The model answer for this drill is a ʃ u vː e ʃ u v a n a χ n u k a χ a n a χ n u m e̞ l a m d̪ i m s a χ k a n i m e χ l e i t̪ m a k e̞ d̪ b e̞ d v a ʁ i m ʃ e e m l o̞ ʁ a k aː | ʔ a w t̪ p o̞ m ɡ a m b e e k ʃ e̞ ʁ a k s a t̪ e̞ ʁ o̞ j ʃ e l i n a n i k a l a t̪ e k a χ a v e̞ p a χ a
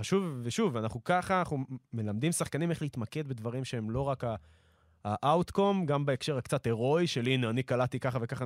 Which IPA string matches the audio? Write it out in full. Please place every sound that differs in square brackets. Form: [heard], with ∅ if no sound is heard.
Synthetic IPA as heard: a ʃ u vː e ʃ u v a n a χ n u k a χ a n a χ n u m e̞ l a m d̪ i m s a χ k a n i m e χ l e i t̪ m a k e̞ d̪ b e̞ d v a ʁ i m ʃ e e m l o̞ ʁ a k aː | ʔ a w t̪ [k] o̞ m ɡ a m b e e k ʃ e̞ ʁ a k [t͡s] a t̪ e̞ ʁ o̞ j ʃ e l i n a n i k a l a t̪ [i] k a χ a v e̞ [k] a χ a